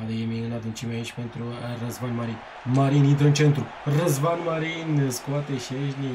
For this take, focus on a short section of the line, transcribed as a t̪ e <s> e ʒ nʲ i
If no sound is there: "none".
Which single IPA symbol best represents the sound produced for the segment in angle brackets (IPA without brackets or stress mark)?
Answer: ʃ